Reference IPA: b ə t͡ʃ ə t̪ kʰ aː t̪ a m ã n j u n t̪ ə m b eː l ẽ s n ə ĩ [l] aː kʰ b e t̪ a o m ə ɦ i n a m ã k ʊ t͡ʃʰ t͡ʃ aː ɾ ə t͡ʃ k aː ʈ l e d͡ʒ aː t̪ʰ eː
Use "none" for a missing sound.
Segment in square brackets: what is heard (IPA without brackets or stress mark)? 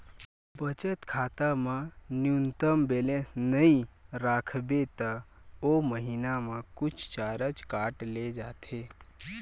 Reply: ɾ